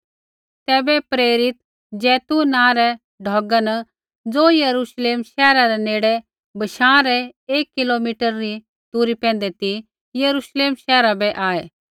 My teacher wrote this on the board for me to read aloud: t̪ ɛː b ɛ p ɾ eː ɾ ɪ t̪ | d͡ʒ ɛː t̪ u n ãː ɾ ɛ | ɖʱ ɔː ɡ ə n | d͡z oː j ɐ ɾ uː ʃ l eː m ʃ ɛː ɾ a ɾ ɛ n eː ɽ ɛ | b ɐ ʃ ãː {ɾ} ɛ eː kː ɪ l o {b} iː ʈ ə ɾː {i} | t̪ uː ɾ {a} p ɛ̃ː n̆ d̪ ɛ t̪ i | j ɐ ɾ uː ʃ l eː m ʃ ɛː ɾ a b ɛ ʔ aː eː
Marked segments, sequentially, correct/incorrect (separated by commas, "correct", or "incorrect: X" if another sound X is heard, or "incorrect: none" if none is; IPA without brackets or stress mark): correct, incorrect: m, correct, incorrect: i